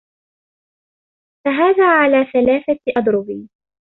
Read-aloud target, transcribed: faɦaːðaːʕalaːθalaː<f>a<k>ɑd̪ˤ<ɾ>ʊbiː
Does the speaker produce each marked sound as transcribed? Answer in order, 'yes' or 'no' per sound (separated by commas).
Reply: no, no, yes